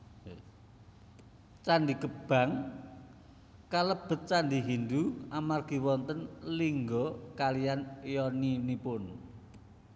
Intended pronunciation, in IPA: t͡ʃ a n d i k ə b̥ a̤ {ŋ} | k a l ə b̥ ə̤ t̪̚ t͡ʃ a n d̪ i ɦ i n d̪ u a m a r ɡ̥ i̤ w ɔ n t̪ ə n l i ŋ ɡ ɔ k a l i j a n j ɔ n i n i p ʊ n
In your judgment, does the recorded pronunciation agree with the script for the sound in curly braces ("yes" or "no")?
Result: yes